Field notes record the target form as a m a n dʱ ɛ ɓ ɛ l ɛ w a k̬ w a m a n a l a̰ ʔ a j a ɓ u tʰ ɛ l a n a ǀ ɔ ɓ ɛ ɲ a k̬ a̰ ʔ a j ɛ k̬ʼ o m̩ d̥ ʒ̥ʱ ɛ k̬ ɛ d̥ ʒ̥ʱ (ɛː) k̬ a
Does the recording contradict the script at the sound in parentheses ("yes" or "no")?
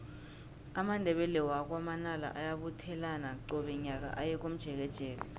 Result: no